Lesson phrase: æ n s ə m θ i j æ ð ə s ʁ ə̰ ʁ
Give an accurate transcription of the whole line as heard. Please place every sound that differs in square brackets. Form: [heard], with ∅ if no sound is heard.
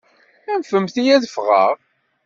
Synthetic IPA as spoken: æ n [f] ə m θ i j æ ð ə [f] ʁ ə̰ ʁ